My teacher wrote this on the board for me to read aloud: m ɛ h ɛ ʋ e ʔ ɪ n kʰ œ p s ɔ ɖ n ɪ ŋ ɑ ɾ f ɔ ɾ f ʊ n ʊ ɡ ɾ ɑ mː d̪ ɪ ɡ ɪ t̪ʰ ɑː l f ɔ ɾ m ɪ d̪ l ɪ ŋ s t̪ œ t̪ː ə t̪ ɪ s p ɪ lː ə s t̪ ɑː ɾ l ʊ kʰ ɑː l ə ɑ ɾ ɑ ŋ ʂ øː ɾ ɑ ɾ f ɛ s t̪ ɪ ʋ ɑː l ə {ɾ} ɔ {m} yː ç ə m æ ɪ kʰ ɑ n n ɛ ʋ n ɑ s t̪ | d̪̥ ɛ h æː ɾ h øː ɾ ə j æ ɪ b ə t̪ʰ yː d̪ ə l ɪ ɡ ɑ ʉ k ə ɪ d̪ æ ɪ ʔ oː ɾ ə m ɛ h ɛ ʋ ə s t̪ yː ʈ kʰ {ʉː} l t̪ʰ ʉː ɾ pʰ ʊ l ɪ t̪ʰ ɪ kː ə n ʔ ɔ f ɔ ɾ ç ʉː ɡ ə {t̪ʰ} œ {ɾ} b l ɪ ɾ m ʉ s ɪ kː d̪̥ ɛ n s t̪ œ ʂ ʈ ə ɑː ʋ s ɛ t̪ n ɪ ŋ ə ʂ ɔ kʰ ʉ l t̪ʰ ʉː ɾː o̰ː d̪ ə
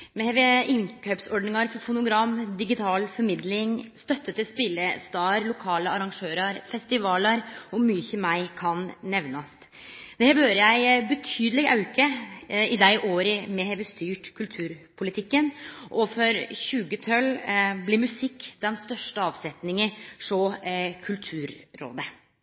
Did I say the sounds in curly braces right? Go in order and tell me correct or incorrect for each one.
correct, correct, incorrect: ʉ, correct, incorrect: l

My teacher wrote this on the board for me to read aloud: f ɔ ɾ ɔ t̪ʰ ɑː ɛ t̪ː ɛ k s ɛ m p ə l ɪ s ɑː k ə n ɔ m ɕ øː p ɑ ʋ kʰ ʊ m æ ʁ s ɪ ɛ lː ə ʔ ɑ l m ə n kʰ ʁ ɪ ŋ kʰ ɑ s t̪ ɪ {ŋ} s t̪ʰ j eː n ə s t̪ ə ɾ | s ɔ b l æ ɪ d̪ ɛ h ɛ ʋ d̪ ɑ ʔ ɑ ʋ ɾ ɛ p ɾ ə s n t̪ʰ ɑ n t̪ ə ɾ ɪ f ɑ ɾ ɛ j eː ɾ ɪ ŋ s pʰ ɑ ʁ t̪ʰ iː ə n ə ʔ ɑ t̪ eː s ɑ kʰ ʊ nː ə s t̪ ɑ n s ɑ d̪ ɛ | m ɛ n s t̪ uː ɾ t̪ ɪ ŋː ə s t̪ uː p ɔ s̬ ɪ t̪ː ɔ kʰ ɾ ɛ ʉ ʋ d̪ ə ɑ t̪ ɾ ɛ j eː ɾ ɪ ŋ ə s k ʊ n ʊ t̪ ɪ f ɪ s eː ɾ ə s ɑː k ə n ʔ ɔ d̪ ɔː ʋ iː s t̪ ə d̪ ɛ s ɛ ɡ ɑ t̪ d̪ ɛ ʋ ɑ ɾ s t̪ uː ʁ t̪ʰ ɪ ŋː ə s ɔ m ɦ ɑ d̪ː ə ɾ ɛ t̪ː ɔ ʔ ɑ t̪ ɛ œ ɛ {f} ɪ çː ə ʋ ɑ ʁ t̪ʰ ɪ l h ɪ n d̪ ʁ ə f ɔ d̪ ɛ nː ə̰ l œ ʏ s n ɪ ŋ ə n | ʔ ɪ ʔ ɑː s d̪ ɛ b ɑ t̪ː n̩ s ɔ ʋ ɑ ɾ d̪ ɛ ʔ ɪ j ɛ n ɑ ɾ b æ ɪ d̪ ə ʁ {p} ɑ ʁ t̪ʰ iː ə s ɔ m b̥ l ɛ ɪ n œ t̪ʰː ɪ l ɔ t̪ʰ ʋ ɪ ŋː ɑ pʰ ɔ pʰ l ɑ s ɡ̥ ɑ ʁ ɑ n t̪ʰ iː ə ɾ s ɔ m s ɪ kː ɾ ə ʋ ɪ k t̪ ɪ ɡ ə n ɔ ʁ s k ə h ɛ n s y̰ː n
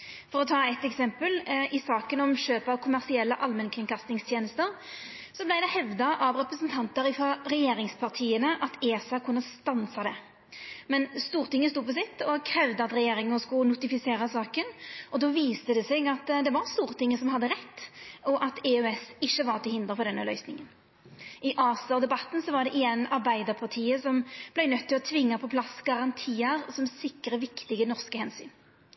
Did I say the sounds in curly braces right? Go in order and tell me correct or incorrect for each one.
correct, incorrect: s, incorrect: pʰ

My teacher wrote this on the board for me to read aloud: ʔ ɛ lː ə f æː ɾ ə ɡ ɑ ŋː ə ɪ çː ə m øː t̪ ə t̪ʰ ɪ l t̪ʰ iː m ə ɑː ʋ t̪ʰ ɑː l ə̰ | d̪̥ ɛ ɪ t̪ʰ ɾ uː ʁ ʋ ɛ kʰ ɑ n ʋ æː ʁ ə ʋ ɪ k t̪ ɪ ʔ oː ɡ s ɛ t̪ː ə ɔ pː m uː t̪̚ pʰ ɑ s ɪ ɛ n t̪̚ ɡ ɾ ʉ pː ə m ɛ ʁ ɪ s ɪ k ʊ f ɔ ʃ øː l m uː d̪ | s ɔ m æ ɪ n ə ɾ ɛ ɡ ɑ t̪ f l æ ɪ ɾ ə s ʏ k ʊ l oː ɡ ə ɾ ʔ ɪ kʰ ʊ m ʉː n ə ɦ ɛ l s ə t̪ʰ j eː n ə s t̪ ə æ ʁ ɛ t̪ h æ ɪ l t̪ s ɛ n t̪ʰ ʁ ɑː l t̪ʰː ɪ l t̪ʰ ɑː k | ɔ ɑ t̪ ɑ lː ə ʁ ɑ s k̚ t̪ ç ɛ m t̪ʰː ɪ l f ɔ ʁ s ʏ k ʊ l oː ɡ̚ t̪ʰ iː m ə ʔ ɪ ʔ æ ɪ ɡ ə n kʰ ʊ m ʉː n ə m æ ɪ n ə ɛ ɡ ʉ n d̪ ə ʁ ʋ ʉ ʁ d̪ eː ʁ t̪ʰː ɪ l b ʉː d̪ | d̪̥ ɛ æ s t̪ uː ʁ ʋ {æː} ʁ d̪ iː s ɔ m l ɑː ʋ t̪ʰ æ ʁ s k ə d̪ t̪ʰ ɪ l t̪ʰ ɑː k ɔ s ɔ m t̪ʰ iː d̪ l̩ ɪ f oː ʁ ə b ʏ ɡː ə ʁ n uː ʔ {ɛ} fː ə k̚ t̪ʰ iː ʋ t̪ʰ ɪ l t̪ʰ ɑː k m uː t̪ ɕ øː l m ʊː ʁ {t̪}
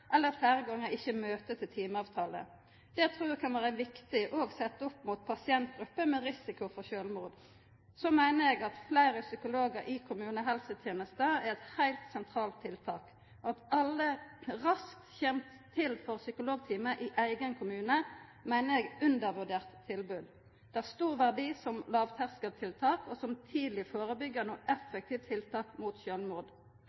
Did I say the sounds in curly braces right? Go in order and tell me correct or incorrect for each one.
incorrect: æ, correct, incorrect: d̪

